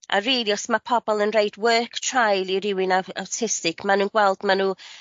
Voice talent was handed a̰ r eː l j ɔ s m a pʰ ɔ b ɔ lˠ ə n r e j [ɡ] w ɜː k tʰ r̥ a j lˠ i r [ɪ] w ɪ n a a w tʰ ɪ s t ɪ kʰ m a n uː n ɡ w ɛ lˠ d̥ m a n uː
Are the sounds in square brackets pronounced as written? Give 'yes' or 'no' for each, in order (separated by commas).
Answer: no, yes